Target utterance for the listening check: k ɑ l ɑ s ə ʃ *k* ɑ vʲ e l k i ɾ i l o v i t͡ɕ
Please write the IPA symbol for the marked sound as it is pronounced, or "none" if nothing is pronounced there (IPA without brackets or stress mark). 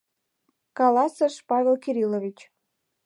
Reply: p